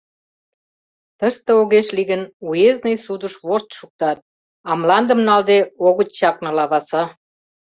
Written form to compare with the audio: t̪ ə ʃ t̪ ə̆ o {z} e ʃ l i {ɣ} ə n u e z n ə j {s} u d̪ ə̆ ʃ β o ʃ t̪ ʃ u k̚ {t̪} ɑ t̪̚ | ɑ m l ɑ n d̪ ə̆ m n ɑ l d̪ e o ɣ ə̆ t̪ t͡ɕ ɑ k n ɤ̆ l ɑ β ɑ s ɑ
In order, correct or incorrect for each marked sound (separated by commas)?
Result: incorrect, correct, correct, correct